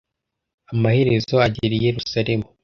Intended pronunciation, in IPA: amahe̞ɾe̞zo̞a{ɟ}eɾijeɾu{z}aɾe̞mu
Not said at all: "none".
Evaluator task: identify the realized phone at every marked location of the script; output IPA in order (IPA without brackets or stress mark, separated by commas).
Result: ɟ, s